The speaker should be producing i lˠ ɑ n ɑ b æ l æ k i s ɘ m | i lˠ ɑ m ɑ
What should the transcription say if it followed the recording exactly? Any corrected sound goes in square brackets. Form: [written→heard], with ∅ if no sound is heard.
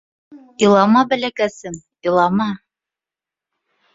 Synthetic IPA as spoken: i lˠ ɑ [n→m] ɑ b æ l æ k [i→æ] s ɘ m | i lˠ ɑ m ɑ